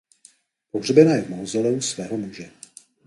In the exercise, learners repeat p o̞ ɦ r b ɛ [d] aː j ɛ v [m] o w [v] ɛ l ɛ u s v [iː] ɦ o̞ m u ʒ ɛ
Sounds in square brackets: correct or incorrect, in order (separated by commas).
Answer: incorrect, correct, incorrect, incorrect